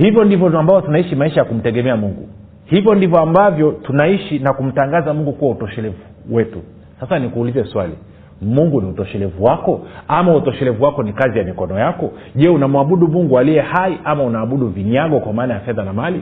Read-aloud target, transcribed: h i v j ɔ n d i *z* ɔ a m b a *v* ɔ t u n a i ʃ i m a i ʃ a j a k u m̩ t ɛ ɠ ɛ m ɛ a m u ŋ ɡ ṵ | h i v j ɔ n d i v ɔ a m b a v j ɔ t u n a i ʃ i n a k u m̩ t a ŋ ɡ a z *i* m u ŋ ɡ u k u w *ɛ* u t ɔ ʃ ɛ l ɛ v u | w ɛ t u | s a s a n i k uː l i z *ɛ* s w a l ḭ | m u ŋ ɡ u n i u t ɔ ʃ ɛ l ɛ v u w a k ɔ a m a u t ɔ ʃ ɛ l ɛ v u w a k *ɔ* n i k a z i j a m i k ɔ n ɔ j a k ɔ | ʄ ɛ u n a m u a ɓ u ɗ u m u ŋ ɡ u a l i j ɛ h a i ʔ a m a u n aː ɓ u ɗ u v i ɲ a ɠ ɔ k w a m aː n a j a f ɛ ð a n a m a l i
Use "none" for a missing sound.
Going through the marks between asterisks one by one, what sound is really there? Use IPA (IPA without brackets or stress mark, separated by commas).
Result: v, v, a, a, ɛ, ɔ